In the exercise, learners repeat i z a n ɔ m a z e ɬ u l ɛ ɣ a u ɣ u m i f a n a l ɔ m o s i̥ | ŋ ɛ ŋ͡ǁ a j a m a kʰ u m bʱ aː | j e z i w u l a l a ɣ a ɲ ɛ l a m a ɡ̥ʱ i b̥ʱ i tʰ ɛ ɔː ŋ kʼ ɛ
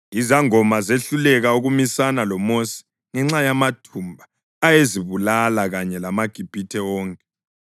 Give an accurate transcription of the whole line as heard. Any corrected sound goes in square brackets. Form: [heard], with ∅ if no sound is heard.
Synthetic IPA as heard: i z a [ŋ] ɔ m a z e ɬ u l ɛ ɣ a u ɣ u m i [s] a n a l ɔ m o s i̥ | ŋ ɛ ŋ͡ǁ a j a m a [tʰ] u m bʱ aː | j e z i [β] u l a l a ɣ a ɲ ɛ l a m a ɡ̥ʱ i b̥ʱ i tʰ ɛ ɔː ŋ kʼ ɛ